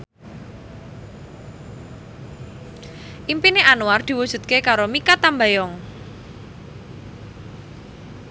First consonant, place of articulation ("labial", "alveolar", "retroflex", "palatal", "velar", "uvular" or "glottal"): glottal